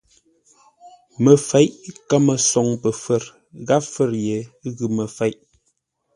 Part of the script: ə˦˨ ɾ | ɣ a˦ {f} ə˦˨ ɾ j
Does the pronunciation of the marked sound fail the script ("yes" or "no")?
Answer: no